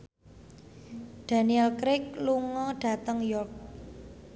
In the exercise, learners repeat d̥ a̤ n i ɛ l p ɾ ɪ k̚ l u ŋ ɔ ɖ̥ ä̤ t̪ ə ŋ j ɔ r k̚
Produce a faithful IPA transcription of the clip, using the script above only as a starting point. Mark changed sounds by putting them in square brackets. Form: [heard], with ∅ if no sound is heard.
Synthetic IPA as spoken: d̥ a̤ n i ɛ l [k] ɾ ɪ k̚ l u ŋ ɔ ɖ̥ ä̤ t̪ ə ŋ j ɔ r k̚